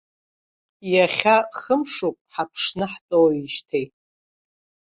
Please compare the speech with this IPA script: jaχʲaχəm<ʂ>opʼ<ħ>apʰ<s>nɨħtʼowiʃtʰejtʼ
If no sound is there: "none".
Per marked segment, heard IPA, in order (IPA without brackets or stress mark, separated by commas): ʂ, ħ, ʂ